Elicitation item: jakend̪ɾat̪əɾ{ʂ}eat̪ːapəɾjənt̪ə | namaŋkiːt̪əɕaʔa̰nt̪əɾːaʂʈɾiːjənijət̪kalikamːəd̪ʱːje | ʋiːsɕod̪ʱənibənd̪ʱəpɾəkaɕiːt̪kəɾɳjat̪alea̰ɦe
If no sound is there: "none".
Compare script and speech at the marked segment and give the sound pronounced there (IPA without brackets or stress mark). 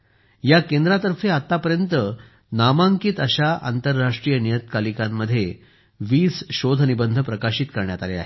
f